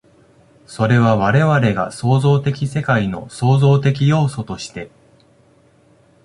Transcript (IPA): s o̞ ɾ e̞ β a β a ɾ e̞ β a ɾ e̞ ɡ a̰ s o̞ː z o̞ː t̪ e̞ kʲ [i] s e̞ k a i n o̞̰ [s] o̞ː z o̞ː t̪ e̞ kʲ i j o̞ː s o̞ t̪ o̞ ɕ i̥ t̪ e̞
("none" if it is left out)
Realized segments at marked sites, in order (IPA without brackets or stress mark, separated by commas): i, s